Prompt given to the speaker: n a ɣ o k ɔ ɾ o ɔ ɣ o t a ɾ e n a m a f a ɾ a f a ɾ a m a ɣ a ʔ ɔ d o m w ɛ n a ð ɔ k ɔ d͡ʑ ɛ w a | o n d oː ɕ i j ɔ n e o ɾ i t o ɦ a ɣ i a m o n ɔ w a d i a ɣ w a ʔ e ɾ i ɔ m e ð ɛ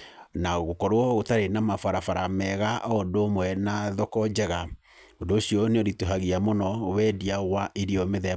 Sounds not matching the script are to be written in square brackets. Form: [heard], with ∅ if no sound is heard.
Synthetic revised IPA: n a ɣ o k ɔ ɾ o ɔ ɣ o t a ɾ e n a m a f a ɾ a f a ɾ a m [ɛ] ɣ a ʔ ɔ d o m w ɛ n a ð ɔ k ɔ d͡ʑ ɛ [ɣ] a | o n d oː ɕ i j ɔ n e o ɾ i t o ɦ a ɣ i a m o n ɔ w [ɛ] d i a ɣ w a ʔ e ɾ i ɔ m e ð ɛ